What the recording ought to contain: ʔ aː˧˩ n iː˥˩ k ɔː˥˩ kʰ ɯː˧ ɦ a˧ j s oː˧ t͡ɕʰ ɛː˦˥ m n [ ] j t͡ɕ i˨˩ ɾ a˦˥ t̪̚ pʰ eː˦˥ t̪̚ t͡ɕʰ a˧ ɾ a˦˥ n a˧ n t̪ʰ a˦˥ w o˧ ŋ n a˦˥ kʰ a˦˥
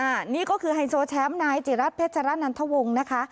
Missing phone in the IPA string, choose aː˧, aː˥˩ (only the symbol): aː˧